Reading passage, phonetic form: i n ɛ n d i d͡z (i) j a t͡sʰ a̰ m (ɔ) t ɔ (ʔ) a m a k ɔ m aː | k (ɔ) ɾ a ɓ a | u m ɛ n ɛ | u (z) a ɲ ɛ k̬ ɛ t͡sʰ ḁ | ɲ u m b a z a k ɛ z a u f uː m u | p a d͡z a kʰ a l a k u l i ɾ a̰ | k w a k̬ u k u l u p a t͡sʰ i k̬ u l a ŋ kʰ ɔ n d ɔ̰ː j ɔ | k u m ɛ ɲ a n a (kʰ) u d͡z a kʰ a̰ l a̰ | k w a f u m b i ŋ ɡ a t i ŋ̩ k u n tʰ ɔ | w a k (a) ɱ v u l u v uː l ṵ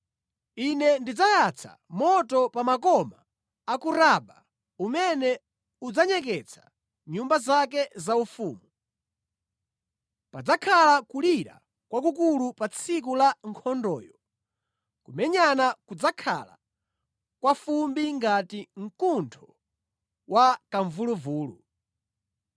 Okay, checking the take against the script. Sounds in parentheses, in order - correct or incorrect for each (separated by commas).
incorrect, correct, incorrect, incorrect, incorrect, incorrect, correct